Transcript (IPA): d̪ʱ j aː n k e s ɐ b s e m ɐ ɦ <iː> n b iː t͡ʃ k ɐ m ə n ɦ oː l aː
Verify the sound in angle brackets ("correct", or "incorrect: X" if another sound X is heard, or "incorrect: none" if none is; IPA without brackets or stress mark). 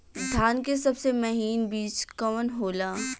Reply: correct